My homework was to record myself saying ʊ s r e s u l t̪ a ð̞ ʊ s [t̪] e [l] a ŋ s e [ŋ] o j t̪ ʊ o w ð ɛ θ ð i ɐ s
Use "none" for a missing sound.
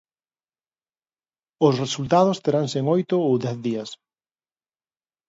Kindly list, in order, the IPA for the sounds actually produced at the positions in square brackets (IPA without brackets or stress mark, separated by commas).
t̪, ɾ, ŋ